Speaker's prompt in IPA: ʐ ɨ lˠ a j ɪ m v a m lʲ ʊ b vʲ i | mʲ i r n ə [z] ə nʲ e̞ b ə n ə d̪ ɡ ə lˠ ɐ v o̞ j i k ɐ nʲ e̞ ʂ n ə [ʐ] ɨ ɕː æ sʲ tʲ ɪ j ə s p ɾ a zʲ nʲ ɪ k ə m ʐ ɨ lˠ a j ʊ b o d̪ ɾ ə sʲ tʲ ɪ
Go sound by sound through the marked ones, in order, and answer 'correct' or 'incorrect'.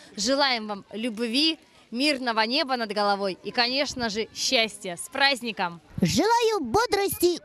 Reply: incorrect: v, correct

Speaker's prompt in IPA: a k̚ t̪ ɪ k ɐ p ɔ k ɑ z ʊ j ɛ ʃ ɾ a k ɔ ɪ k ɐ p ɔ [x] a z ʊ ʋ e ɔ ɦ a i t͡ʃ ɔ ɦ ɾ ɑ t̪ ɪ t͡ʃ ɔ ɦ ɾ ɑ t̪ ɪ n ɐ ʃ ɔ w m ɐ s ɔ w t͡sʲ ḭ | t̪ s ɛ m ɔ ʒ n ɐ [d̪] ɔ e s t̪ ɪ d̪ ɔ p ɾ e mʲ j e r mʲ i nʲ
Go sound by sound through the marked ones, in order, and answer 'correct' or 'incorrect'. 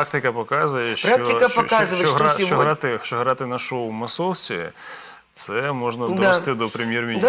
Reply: incorrect: k, correct

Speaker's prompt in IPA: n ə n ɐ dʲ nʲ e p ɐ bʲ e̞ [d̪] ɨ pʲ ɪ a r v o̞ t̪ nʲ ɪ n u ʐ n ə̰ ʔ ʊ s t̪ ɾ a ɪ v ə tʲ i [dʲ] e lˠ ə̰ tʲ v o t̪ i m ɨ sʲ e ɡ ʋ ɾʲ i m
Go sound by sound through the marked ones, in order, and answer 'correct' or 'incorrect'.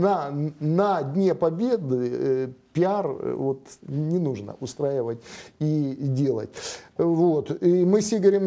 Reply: correct, correct

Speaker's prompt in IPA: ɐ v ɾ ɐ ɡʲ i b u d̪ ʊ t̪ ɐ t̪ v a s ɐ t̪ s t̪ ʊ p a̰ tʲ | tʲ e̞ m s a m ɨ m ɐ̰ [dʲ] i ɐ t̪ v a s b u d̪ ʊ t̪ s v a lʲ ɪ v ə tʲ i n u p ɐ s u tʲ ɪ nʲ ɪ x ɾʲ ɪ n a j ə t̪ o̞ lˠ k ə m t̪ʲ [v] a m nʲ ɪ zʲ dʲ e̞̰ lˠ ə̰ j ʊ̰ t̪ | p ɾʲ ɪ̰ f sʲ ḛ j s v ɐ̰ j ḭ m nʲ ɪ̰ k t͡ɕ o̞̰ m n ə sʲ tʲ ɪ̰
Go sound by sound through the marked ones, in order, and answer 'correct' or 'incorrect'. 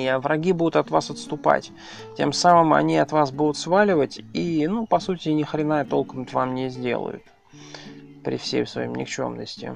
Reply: incorrect: nʲ, correct

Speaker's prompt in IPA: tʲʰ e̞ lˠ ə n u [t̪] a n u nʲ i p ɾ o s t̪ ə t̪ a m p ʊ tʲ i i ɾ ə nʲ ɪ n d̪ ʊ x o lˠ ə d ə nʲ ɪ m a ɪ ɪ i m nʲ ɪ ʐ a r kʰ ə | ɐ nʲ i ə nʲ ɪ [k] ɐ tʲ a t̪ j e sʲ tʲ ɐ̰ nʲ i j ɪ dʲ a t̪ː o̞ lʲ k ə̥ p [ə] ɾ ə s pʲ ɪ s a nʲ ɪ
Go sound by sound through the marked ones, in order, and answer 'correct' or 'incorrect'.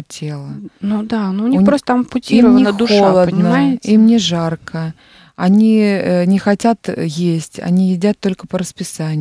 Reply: incorrect: d̪, incorrect: x, correct

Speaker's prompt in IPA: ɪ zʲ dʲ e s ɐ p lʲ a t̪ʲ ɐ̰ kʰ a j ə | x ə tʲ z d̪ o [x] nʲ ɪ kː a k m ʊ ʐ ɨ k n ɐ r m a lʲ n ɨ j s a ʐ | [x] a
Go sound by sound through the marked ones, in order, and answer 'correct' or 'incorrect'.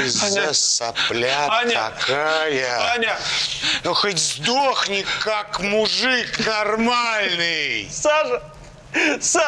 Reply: correct, incorrect: s

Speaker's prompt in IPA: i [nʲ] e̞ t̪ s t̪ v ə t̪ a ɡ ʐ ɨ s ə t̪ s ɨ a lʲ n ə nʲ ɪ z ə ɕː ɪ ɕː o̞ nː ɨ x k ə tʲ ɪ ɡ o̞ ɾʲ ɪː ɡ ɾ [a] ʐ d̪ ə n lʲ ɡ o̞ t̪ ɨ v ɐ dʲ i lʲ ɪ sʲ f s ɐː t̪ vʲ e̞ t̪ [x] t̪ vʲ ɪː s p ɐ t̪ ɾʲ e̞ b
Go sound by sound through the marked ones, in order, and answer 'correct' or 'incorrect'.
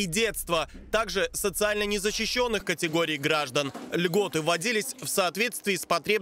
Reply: incorrect: dʲ, correct, incorrect: s

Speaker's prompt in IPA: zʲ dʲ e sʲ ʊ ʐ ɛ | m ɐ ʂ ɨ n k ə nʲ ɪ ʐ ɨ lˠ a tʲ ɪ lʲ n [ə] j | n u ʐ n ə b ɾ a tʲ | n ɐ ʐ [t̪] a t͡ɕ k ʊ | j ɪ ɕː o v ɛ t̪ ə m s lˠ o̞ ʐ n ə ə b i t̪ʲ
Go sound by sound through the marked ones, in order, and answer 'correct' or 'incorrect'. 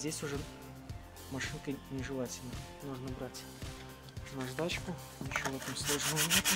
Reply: correct, incorrect: d̪

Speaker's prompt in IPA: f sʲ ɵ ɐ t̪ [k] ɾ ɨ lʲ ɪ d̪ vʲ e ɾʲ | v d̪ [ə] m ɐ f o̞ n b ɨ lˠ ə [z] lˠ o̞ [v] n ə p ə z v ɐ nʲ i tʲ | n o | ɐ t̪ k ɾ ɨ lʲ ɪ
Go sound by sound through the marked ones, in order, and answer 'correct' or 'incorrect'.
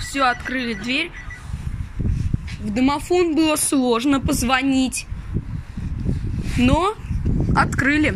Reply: correct, correct, incorrect: s, incorrect: ʐ

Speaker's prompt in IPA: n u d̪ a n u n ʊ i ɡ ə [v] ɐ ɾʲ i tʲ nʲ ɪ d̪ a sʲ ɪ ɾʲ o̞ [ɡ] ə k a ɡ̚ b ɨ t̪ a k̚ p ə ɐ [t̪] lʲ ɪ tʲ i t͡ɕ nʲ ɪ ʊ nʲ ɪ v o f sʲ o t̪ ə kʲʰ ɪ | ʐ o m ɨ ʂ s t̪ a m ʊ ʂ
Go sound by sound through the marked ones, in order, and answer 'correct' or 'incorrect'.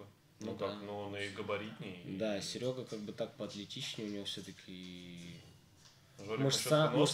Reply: incorrect: b, correct, correct

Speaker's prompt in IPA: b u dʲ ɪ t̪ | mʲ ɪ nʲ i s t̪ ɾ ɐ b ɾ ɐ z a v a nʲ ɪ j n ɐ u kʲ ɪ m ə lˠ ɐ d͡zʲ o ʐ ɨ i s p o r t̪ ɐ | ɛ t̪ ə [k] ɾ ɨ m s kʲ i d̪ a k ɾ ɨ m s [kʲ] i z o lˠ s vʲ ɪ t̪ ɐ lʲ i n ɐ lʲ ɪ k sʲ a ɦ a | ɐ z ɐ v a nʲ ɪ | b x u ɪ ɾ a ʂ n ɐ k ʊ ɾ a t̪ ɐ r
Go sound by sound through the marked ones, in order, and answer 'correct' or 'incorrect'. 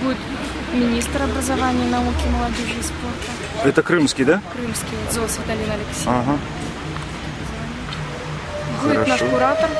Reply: correct, correct

